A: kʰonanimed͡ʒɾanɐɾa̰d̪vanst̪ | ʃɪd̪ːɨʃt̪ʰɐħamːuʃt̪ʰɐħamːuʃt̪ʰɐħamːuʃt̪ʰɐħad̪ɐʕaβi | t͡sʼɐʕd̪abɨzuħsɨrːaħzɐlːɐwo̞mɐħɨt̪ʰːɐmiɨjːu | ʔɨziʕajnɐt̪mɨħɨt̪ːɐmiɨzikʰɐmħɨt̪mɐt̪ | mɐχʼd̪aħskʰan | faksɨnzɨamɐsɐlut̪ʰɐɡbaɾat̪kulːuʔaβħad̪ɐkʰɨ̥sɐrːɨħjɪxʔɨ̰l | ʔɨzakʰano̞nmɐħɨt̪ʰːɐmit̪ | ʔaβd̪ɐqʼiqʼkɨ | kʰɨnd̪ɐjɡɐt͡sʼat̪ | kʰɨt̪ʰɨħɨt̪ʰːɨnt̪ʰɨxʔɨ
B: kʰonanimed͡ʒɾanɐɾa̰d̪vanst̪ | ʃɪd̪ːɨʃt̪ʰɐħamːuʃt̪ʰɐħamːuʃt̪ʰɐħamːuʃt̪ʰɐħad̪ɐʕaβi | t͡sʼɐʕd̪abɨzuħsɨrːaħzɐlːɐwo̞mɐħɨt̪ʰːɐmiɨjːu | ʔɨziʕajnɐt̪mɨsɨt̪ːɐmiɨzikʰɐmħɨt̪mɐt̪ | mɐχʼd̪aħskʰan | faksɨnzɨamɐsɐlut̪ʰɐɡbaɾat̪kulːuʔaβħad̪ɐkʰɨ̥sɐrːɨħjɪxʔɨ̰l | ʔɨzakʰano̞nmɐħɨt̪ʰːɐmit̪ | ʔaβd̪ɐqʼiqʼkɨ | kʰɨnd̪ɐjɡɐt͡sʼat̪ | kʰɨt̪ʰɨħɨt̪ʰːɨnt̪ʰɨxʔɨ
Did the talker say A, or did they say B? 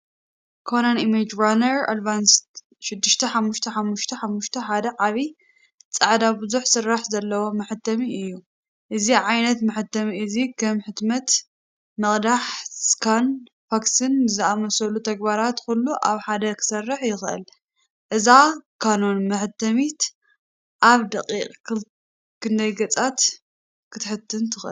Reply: A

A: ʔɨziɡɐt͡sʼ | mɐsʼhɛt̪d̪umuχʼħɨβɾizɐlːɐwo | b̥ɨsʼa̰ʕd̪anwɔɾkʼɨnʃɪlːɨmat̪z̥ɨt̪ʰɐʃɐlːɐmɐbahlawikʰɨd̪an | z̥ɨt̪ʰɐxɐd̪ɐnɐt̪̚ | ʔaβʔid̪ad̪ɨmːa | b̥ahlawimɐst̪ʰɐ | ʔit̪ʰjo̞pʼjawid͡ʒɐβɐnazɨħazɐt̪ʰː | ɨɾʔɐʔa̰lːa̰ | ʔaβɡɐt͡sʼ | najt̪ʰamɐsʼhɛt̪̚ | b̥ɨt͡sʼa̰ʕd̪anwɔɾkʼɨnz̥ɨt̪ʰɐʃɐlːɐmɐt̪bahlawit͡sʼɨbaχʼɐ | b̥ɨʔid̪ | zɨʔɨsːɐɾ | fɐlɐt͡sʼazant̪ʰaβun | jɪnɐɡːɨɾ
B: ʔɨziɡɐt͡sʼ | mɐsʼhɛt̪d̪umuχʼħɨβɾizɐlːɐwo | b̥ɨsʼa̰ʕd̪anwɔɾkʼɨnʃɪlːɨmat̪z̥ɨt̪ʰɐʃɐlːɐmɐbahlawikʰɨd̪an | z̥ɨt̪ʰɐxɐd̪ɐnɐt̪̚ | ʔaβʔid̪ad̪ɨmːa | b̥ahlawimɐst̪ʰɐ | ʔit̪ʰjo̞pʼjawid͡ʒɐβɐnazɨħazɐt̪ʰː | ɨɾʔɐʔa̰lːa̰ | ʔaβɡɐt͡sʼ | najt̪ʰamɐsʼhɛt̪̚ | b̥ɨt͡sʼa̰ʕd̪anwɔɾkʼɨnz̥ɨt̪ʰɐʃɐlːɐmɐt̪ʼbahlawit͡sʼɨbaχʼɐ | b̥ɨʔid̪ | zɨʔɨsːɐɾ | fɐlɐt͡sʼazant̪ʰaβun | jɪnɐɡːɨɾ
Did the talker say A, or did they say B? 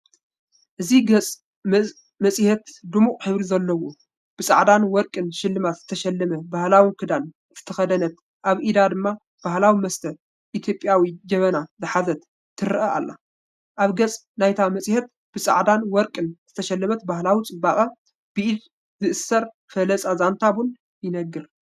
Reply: A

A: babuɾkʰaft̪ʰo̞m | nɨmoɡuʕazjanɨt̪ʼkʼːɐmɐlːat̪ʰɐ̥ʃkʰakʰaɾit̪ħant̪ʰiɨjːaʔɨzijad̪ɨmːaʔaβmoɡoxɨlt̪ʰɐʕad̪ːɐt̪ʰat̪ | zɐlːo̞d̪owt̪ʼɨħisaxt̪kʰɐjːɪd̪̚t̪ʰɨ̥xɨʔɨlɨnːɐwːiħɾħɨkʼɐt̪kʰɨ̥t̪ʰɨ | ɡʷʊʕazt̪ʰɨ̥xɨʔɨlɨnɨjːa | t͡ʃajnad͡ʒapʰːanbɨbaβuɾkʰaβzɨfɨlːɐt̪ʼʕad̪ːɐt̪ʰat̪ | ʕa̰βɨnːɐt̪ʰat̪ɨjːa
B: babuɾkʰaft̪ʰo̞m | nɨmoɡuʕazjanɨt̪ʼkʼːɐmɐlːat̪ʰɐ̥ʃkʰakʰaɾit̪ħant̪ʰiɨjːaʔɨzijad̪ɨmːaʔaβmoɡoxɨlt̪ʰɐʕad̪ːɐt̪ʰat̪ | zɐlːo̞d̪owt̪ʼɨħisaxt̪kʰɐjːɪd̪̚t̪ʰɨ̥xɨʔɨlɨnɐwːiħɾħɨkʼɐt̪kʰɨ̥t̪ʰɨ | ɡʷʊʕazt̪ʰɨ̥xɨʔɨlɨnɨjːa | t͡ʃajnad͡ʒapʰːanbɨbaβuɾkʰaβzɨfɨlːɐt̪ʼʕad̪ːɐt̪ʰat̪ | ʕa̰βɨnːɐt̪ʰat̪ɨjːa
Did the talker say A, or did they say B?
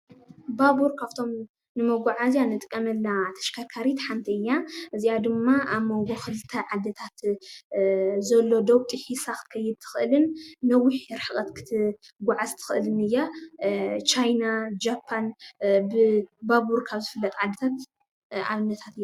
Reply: A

